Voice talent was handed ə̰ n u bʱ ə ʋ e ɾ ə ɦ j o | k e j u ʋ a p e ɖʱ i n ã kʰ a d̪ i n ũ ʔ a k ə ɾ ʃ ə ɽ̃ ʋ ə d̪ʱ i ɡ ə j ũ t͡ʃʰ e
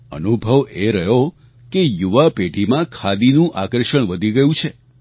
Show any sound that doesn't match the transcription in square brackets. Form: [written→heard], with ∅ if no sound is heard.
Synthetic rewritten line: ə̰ n u bʱ ə ʋ e ɾ ə ɦ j o | k e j u ʋ a p e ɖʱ i [n→m] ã kʰ a d̪ i n ũ ʔ a k ə ɾ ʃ ə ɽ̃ ʋ ə d̪ʱ i ɡ ə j ũ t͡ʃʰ e